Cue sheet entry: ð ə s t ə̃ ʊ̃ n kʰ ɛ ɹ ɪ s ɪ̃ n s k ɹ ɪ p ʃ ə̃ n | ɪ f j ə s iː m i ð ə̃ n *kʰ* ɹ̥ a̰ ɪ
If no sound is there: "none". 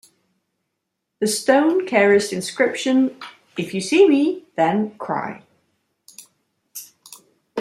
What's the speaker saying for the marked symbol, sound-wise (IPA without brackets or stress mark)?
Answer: kʰ